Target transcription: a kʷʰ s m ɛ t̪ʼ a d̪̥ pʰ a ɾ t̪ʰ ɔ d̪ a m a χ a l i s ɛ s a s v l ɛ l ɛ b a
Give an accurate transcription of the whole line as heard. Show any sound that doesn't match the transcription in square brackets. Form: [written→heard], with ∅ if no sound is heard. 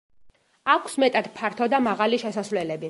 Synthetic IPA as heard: a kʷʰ s m ɛ t̪ʼ a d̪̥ pʰ a ɾ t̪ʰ ɔ d̪ a m a [χ→ʁ] a l i [s→ʃ] ɛ s a s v l ɛ l ɛ b [a→i]